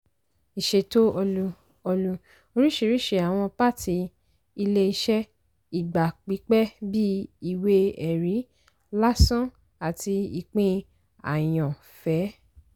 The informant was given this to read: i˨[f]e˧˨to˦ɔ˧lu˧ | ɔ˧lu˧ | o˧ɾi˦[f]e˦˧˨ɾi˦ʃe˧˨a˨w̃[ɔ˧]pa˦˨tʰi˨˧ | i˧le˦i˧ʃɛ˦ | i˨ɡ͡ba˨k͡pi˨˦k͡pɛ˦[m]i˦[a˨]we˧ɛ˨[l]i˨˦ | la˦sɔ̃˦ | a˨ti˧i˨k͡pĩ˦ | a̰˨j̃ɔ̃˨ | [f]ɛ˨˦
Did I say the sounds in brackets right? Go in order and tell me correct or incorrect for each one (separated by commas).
incorrect, incorrect, incorrect, incorrect, incorrect, incorrect, correct